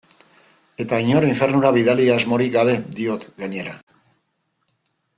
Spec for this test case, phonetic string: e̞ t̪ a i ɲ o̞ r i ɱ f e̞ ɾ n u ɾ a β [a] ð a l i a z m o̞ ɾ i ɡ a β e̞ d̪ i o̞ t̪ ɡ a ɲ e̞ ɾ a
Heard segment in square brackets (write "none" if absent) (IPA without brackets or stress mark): i